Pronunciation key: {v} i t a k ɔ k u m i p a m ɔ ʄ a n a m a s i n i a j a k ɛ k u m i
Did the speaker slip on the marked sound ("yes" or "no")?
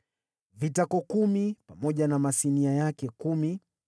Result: no